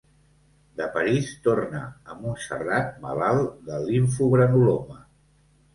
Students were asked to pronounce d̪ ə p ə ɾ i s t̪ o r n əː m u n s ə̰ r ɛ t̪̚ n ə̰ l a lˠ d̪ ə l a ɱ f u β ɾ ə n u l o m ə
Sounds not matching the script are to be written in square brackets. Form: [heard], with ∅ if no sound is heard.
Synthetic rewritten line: d̪ ə p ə ɾ i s t̪ o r n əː m u n s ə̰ r [a] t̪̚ [m] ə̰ l a lˠ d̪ ə l [i] ɱ f u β ɾ ə n u l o m ə